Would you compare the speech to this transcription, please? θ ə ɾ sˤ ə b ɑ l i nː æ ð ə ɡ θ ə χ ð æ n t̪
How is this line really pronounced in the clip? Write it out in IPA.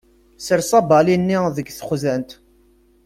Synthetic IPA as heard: s ə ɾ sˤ ɑ b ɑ l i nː i ð ə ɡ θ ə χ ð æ n t̪

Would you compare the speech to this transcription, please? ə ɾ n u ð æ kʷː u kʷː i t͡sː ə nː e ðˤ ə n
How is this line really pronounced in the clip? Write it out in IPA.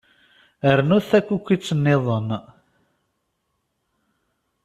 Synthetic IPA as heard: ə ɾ n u θ æ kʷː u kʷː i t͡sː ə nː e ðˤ ə n

